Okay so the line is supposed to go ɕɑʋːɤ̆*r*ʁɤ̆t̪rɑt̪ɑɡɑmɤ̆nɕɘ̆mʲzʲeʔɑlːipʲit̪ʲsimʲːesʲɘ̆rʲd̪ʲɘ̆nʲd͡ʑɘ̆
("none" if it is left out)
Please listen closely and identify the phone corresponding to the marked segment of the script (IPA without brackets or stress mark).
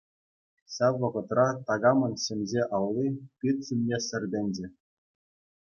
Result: none